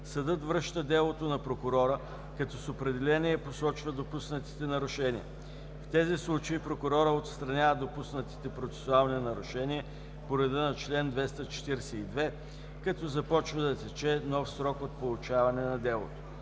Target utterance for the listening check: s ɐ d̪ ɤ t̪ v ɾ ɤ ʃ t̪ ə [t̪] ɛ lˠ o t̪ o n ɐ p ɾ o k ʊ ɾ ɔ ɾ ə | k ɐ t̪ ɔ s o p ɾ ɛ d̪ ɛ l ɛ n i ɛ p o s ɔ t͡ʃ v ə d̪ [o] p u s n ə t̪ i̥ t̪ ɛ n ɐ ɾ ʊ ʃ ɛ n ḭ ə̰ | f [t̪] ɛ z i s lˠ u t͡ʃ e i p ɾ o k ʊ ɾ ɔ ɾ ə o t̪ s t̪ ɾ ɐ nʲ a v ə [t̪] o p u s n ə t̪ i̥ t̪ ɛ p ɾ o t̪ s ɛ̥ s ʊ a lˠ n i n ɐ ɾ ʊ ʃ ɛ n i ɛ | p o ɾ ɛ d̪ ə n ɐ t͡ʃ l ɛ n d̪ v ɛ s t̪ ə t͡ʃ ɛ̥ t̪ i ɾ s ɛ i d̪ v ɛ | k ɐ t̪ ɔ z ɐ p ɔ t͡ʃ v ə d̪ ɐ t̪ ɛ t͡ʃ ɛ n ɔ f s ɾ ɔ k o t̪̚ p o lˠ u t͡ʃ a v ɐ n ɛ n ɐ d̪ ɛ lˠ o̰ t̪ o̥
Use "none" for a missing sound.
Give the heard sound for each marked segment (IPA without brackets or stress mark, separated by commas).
d̪, o, t̪, d̪